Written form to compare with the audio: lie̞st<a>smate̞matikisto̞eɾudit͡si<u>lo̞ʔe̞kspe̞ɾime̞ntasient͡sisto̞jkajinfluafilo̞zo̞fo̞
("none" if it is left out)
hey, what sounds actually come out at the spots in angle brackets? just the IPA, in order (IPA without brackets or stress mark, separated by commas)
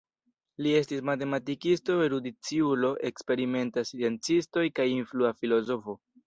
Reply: i, u